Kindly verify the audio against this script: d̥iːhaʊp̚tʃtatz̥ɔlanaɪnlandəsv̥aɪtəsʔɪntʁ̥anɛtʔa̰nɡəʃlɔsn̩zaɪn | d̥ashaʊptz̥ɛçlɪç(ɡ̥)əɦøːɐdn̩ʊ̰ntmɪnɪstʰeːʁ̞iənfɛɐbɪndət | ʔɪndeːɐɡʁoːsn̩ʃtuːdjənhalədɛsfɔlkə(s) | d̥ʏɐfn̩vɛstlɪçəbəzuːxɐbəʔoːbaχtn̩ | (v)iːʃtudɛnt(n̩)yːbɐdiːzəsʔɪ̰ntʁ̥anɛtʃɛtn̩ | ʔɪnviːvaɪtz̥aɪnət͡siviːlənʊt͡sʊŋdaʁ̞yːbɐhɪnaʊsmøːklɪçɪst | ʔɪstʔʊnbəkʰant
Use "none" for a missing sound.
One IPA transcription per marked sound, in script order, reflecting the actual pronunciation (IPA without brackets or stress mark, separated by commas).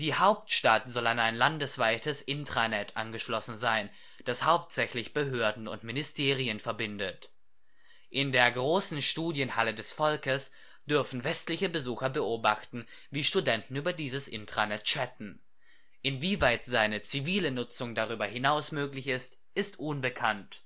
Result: b̥, s, v, n̩